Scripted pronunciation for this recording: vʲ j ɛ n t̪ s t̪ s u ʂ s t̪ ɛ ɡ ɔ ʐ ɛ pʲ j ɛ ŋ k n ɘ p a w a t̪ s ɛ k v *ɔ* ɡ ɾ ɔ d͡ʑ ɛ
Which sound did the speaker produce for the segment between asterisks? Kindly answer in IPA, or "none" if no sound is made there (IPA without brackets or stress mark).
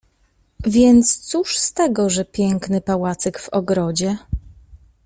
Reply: ɔ